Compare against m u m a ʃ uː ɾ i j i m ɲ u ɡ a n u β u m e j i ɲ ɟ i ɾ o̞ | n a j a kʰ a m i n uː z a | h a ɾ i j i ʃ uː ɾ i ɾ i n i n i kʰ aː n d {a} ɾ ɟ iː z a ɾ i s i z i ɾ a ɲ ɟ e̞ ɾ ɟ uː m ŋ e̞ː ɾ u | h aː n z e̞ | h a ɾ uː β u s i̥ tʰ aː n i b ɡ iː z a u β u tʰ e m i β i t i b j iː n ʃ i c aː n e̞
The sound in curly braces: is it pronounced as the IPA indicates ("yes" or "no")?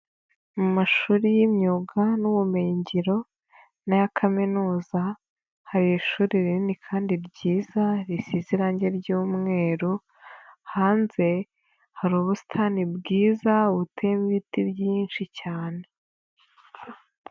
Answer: no